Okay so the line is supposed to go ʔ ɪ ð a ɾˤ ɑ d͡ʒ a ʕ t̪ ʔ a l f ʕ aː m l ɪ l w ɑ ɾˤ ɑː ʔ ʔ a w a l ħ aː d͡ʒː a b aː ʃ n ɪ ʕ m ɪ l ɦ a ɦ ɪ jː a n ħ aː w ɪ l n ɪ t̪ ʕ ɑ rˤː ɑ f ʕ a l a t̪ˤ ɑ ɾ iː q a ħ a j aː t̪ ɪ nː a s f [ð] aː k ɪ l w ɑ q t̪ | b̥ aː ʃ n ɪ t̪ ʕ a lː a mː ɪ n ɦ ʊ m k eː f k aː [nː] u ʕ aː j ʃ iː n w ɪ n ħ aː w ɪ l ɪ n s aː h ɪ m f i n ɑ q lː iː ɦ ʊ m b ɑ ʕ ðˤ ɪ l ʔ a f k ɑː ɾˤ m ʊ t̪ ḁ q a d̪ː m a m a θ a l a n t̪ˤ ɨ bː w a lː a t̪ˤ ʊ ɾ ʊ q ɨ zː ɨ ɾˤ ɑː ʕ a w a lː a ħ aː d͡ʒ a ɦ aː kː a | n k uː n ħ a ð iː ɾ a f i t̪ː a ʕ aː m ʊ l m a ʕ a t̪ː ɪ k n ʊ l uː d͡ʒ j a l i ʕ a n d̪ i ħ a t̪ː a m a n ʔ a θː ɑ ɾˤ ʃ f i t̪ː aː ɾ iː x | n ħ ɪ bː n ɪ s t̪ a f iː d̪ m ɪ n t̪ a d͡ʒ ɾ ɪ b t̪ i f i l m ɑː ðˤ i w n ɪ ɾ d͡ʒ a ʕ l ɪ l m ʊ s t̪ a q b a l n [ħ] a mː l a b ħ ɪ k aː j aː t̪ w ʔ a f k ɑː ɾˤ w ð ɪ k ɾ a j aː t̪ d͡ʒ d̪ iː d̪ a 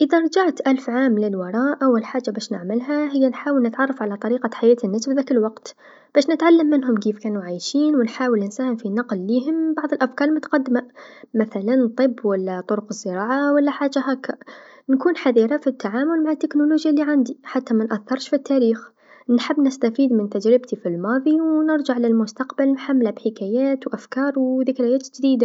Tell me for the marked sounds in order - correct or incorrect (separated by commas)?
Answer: correct, incorrect, correct